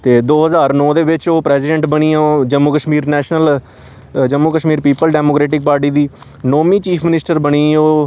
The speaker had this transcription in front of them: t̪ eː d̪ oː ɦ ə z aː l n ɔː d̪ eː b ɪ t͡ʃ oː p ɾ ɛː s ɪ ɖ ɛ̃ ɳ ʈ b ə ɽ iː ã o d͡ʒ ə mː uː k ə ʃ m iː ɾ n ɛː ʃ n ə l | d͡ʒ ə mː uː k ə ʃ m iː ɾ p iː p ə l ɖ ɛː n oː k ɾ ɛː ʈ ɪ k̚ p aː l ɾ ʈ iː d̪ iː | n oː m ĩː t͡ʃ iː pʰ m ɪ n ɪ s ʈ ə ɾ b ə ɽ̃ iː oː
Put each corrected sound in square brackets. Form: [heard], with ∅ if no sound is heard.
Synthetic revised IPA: t̪ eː d̪ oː ɦ ə z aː [ɾ] n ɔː d̪ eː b ɪ t͡ʃ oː p ɾ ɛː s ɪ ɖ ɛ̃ ɳ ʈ b ə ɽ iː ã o d͡ʒ ə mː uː k ə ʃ m iː ɾ n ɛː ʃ n ə l | d͡ʒ ə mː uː k ə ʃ m iː ɾ p iː p ə l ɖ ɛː [m] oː k ɾ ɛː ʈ ɪ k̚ p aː [∅] ɾ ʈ iː d̪ iː | n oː m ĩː t͡ʃ iː pʰ m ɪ n ɪ s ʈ ə ɾ b ə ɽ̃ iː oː